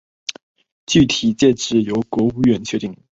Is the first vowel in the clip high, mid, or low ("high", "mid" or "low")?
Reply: high